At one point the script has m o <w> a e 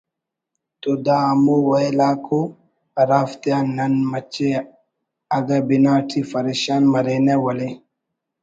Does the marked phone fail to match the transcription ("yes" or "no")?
no